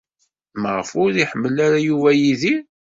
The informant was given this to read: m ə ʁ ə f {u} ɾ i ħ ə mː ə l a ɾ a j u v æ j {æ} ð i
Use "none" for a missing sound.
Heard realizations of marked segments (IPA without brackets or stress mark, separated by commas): ʊ, i